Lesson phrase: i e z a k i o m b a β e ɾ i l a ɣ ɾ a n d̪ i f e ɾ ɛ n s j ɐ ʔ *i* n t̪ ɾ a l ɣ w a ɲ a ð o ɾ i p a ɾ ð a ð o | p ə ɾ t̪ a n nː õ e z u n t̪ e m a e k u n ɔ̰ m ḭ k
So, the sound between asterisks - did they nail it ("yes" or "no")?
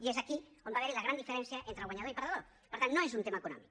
no